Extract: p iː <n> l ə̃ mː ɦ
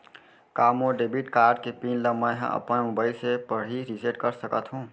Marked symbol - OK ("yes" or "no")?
yes